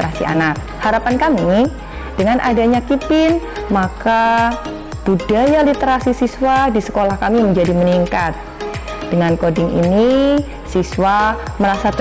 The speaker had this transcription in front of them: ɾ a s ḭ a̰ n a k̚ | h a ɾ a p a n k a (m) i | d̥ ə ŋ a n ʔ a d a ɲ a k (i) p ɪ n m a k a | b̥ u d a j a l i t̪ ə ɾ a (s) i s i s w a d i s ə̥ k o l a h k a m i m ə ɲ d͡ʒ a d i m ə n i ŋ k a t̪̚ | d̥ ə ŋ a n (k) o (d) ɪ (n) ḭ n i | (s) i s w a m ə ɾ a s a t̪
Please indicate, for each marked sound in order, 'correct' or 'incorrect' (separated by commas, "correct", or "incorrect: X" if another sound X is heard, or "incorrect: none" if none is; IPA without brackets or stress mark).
correct, correct, correct, correct, correct, incorrect: ŋ, correct